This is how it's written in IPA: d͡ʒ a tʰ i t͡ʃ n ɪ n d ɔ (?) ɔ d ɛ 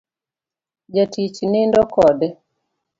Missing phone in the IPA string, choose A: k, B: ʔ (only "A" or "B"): A